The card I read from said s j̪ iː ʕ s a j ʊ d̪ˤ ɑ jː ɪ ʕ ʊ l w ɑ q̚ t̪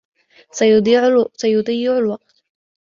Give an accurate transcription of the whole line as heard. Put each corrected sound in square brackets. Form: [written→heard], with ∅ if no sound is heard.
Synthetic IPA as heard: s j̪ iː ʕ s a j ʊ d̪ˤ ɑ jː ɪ ʕ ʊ l w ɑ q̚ t̪